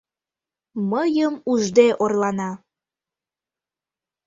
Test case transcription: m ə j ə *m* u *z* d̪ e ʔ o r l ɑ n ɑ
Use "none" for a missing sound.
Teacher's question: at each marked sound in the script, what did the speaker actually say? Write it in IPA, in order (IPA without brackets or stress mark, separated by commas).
m, ʒ